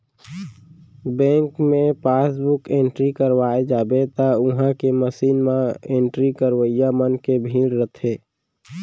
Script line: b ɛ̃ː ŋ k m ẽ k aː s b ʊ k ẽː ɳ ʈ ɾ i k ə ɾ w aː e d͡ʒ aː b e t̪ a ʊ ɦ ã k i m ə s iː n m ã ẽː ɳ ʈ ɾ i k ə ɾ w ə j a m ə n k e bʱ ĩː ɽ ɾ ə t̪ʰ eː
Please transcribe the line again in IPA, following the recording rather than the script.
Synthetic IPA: b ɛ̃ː ŋ k m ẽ p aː s b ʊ k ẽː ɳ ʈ ɾ i k ə ɾ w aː e d͡ʒ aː b e t̪ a ʊ ɦ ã k e m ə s iː n m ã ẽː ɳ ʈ ɾ i k ə ɾ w ə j a m ə n k e bʱ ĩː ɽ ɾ ə t̪ʰ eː